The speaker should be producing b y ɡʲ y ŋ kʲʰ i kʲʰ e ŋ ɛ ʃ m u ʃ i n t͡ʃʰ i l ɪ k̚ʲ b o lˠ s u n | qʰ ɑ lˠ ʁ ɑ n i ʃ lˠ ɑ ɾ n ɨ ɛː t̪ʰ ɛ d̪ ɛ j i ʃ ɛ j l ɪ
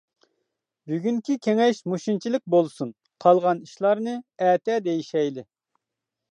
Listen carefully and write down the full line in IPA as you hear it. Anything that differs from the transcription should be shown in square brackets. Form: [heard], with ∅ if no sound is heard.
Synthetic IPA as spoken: b y ɡʲ y ŋ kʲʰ i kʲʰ e ŋ ɛ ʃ m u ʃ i n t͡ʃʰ i l ɪ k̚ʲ b o lˠ s u n | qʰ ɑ lˠ ʁ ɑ n i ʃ lˠ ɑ ɾ n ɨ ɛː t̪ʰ ɛ d̪ [e] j i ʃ ɛ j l ɪ